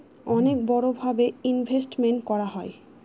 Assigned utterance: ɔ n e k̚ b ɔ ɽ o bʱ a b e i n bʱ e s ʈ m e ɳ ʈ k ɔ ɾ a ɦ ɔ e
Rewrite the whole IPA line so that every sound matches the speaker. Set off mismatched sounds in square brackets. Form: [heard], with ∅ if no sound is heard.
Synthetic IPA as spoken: ɔ n e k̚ b ɔ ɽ o bʱ a b e i n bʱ e s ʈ m e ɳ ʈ k ɔ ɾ a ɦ ɔ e